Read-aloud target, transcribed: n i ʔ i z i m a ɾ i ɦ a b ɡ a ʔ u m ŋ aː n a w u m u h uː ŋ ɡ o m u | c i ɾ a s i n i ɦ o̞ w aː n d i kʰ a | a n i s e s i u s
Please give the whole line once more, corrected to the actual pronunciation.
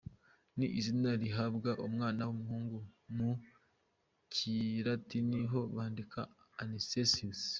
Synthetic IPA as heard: n i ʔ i z i n a ɾ i ɦ a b ɡ a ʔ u m ŋ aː n a w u m u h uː ŋ ɡ u m u | c i ɾ a t i n i ɦ o̞ β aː n d i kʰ a | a n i s e s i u s